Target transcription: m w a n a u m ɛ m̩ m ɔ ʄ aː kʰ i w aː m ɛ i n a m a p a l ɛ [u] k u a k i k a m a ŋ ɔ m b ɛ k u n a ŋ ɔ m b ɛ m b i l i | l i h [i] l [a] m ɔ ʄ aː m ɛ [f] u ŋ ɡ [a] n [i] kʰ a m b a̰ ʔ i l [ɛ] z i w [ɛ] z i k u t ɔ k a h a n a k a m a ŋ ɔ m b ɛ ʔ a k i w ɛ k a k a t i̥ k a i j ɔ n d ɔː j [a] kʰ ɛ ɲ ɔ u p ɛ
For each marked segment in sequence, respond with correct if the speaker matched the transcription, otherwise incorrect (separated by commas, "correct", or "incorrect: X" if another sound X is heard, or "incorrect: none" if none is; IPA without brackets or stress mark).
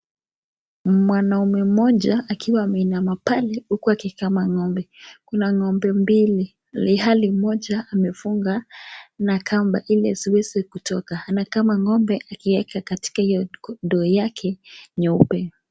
correct, incorrect: a, incorrect: i, correct, correct, incorrect: a, correct, correct, correct